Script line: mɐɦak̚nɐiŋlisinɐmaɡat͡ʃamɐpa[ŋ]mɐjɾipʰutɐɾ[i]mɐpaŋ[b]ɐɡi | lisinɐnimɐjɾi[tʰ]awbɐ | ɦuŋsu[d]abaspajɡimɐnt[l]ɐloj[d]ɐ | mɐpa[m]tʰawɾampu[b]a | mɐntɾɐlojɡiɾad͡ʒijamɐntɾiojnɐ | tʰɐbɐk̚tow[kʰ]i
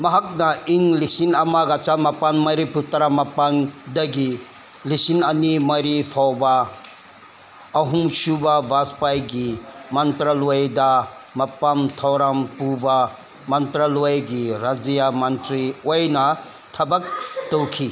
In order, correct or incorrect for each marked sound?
incorrect: n, incorrect: a, incorrect: d, incorrect: pʰ, incorrect: b, incorrect: ɾ, correct, correct, correct, correct

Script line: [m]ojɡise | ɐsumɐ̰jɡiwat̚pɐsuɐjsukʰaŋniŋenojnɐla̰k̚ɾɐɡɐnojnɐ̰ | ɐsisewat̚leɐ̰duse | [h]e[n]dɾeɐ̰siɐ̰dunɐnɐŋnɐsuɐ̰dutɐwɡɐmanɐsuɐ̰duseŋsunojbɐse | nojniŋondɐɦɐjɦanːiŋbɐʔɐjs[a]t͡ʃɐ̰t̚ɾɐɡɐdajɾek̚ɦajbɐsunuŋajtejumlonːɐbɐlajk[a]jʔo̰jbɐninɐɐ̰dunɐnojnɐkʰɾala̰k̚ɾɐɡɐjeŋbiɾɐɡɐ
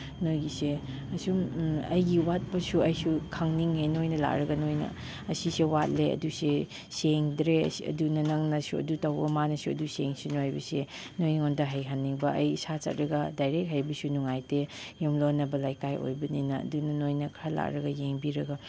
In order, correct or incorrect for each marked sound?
incorrect: n, incorrect: s, incorrect: ŋ, correct, correct

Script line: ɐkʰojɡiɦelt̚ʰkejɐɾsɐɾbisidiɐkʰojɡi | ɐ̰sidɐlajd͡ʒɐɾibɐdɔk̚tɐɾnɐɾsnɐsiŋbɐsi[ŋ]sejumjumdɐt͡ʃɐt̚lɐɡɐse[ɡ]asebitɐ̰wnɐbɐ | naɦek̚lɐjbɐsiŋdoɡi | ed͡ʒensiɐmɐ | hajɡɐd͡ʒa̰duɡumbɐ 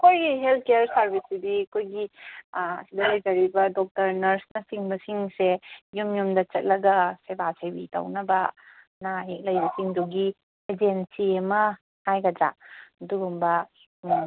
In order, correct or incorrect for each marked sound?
correct, incorrect: b

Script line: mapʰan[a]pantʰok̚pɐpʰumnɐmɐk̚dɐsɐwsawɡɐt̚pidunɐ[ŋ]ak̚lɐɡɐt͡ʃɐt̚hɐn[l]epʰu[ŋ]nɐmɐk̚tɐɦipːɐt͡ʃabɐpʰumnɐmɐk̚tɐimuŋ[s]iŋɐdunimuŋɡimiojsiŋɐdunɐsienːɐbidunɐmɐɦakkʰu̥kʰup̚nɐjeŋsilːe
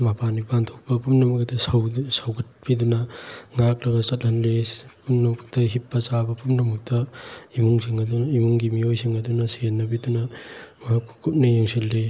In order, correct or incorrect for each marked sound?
incorrect: i, correct, correct, incorrect: m, correct

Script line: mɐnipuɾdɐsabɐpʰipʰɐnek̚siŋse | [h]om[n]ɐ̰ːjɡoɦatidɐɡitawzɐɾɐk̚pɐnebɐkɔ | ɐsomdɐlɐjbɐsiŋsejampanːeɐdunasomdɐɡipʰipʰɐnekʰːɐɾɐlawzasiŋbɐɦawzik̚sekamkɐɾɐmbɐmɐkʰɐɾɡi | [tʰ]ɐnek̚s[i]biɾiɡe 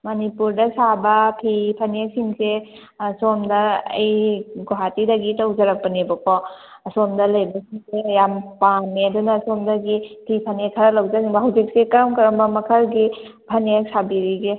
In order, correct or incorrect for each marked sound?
incorrect: s, incorrect: d, incorrect: pʰ, incorrect: a

